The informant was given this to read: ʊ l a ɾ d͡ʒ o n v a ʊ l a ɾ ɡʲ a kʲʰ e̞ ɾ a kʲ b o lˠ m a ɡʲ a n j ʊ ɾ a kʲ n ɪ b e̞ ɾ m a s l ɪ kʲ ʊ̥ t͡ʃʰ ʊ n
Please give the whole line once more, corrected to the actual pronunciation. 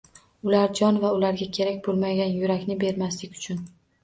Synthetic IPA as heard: ʊ l a ɾ d͡ʒ ɒ n v a ʊ l a ɾ ɡʲ a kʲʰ e̞ ɾ a kʲ b o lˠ m a ɡʲ a n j ʊ ɾ a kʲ n ɪ b e̞ ɾ m a s l ɪ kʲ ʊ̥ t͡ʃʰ ʊ n